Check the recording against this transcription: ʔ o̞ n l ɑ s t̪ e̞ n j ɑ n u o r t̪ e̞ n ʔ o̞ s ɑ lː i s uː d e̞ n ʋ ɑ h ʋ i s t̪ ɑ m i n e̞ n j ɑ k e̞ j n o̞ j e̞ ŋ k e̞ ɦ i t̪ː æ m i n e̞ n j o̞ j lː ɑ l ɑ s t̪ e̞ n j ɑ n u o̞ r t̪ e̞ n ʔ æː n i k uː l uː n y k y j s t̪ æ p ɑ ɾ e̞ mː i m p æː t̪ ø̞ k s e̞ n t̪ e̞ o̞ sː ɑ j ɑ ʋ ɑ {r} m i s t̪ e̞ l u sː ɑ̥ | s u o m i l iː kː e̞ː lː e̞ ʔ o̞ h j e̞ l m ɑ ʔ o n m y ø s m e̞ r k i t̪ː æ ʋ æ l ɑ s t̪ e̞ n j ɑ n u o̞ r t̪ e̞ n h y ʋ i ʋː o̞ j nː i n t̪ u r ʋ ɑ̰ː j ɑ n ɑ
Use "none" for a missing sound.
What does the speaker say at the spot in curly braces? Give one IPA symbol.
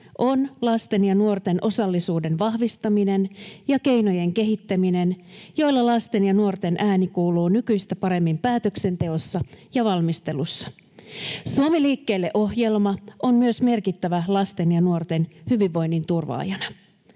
l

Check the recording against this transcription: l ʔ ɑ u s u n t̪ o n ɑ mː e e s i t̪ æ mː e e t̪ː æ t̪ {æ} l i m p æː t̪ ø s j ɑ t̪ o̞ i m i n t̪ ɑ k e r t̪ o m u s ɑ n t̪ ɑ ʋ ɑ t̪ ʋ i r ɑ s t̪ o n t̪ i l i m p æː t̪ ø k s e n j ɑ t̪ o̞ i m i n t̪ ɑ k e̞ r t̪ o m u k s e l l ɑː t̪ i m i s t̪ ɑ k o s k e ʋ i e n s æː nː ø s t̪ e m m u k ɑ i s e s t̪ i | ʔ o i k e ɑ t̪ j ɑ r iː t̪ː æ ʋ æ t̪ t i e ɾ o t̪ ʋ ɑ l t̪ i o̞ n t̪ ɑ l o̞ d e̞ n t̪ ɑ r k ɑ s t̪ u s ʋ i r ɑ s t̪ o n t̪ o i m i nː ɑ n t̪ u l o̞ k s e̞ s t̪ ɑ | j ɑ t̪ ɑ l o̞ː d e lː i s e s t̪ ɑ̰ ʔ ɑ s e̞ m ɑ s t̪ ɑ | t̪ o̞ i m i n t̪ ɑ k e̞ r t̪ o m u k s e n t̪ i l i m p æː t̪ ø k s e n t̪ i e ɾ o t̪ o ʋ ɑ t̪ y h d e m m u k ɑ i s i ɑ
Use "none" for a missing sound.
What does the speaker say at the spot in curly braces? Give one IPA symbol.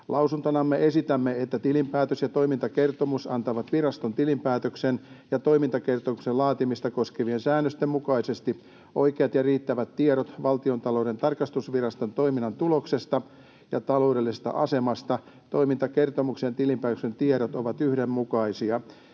i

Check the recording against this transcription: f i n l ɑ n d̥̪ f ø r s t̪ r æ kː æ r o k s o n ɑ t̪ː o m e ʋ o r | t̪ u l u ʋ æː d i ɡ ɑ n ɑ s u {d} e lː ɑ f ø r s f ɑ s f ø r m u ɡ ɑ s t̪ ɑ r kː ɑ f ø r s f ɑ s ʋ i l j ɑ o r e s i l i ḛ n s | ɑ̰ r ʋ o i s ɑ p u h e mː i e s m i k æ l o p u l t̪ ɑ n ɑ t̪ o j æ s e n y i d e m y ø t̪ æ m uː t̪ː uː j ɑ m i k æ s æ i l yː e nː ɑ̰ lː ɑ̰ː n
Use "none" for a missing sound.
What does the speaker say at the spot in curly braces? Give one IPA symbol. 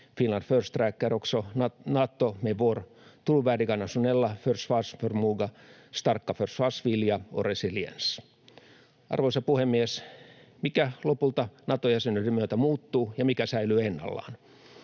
n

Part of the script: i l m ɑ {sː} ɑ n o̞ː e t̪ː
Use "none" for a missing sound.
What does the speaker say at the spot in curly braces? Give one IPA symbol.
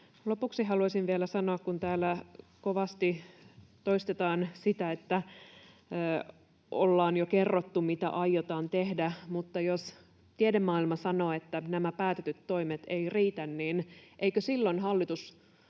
s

